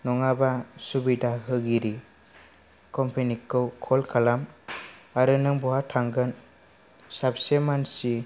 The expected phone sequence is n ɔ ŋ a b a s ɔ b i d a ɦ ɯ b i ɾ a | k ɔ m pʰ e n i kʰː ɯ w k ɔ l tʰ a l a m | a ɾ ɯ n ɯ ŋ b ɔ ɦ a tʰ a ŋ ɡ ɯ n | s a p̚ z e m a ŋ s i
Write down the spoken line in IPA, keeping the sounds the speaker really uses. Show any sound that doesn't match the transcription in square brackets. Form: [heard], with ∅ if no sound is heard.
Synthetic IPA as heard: n ɔ ŋ a b a s [u] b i d a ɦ ɯ [ɡ] i ɾ [i] | k ɔ m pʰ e n i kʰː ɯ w [kʰ] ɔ l [kʰ] a l a m | a ɾ ɯ n ɯ ŋ b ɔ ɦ a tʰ a ŋ ɡ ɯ n | s a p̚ [s] e m a [n] s i